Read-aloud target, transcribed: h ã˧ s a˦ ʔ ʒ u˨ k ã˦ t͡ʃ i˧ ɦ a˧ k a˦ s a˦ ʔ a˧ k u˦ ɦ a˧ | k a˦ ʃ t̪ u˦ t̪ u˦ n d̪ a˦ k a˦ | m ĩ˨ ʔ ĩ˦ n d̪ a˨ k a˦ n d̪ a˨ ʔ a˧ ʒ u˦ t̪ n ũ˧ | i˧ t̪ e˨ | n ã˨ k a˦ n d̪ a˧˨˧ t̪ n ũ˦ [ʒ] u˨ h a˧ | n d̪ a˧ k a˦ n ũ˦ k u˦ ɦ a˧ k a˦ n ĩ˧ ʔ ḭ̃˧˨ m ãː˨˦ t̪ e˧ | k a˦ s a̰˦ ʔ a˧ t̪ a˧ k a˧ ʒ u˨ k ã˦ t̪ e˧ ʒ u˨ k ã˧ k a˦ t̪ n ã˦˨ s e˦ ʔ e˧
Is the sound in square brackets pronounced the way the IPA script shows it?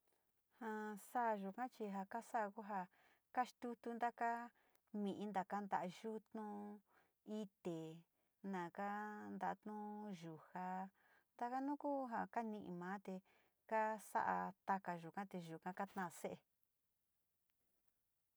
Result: yes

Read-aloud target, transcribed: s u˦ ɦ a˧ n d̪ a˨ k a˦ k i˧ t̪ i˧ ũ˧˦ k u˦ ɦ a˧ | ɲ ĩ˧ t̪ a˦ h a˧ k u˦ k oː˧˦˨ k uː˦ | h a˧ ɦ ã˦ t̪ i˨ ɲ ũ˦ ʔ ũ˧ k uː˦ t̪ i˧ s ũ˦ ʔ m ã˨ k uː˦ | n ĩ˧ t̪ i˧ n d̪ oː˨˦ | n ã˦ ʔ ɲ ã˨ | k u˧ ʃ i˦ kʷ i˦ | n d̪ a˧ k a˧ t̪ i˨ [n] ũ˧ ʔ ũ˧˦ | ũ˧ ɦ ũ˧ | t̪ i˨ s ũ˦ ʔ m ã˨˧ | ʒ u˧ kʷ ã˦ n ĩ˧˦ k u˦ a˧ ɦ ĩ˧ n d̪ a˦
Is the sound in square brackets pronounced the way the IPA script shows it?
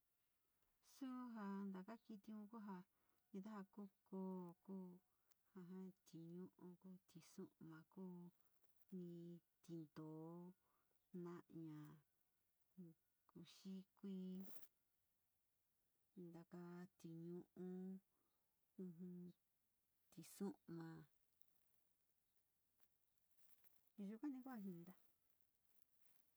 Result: no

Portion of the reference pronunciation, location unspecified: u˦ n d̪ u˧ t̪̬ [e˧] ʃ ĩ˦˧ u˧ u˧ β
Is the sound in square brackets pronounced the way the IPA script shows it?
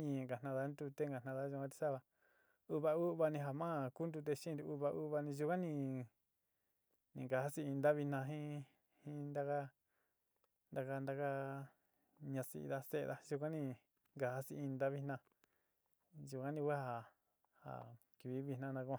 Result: yes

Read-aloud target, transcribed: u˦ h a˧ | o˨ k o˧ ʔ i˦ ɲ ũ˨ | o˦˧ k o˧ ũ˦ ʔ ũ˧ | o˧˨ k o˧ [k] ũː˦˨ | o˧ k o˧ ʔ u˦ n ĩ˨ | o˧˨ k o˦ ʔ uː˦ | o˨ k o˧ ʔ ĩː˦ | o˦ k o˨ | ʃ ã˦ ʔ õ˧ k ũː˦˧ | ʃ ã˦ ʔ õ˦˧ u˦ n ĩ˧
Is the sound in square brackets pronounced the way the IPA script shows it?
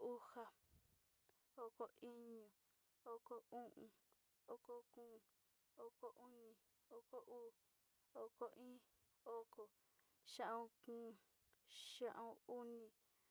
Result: yes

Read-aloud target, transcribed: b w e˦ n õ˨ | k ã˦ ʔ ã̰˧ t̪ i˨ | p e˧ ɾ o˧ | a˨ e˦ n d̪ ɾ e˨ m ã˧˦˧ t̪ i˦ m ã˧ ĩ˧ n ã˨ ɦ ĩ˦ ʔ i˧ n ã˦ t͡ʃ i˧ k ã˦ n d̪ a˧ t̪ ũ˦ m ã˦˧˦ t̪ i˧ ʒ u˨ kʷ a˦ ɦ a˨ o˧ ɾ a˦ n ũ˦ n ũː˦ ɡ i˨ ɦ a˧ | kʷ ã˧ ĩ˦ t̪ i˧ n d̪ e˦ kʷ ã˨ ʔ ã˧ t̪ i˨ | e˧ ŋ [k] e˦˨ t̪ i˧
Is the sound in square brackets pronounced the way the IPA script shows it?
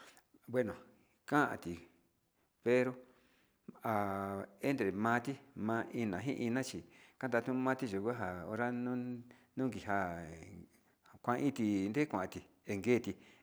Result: no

